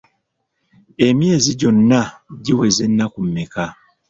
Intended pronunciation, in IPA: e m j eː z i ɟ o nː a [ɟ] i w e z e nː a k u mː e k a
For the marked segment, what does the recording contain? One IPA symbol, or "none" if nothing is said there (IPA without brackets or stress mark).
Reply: ɟ